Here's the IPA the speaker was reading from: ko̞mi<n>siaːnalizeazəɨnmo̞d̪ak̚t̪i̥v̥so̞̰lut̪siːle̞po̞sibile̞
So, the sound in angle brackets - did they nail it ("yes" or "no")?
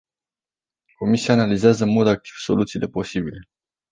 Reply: no